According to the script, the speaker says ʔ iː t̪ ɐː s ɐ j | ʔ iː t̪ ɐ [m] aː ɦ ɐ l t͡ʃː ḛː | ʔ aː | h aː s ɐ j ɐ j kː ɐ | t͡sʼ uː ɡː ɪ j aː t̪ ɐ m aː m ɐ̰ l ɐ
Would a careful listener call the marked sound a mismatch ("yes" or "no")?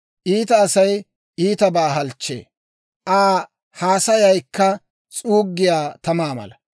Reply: yes